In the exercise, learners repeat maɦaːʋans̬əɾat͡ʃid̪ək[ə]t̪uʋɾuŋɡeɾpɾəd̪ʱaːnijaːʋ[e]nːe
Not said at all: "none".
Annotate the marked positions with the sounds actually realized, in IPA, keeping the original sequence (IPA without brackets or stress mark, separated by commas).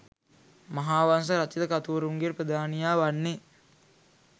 a, a